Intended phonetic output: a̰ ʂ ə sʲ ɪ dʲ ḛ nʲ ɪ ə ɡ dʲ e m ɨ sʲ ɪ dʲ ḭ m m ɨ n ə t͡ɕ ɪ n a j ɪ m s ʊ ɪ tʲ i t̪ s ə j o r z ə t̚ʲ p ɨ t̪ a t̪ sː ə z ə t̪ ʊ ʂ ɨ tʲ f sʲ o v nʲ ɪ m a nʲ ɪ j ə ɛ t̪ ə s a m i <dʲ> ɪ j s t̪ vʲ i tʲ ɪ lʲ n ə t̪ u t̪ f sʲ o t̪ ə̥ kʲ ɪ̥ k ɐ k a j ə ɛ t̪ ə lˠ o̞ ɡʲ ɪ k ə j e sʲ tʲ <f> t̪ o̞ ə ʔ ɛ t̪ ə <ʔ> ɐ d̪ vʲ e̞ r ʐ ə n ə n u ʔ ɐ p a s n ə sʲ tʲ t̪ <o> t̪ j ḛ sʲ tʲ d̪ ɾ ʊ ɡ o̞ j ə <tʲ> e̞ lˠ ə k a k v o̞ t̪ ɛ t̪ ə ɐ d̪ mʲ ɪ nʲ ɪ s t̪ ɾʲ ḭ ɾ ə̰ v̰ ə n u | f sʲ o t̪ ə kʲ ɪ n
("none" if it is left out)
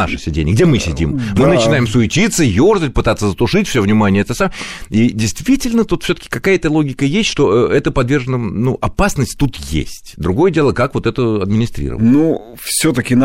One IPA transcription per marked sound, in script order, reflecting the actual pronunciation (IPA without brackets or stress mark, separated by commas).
dʲ, ʂ, p, u, dʲ